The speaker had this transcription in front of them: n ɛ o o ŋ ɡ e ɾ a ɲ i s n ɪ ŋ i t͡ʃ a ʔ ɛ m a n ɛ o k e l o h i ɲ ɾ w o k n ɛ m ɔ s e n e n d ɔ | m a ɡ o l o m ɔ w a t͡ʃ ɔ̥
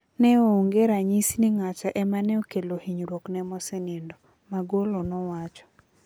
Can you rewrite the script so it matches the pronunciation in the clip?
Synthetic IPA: n ɛ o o ŋ ɡ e ɾ a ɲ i s n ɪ ŋ a t͡ʃ a ʔ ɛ m a n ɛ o k e l o h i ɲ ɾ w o k n ɛ m ɔ s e n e n d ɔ | m a ɡ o l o n ɔ w a t͡ʃ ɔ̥